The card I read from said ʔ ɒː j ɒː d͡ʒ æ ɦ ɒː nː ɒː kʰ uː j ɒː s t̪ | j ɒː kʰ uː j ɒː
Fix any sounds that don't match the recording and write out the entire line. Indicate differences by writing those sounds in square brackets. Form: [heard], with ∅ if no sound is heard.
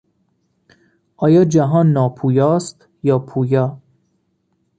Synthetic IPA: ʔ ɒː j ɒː d͡ʒ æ ɦ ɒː nː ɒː [pʰ] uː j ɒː s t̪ | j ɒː [pʰ] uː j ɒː